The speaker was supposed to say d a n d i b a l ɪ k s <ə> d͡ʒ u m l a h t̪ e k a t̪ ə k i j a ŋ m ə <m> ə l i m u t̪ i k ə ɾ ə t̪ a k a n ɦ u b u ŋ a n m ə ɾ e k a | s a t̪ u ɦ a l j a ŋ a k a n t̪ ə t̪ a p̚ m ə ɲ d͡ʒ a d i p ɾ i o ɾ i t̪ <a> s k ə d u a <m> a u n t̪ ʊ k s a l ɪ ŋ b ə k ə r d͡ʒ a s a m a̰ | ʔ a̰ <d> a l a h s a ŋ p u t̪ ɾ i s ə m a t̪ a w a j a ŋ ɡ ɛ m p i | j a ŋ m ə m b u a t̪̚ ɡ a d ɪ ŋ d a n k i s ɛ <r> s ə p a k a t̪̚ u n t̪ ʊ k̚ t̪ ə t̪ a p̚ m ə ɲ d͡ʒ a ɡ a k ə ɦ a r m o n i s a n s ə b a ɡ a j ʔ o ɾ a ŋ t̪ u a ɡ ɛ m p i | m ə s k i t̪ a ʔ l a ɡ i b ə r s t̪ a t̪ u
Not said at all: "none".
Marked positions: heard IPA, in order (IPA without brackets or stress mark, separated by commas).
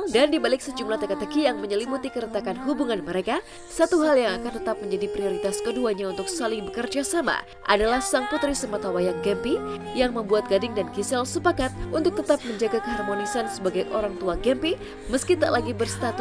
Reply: ə, ɲ, a, ɲ, d, l